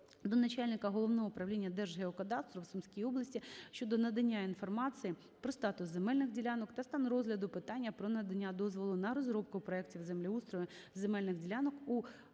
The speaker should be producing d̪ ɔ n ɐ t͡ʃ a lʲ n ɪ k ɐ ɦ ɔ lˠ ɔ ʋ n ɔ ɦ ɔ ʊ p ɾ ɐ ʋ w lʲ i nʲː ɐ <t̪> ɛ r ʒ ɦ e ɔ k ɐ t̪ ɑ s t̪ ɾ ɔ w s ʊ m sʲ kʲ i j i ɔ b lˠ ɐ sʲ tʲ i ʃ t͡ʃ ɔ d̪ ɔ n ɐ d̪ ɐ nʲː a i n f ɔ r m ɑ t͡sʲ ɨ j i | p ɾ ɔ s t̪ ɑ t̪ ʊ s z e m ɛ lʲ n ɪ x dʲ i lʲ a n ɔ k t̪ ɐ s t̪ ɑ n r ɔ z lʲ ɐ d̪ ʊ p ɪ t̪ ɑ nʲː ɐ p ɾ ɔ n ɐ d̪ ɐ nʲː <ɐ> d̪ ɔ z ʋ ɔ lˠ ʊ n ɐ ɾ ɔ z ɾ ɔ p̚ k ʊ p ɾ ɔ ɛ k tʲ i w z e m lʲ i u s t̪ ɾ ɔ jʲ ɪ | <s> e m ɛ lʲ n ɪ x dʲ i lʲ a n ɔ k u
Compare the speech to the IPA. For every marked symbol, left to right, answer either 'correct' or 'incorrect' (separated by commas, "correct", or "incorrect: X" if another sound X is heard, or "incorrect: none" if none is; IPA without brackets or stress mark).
incorrect: d̪, incorrect: a, incorrect: z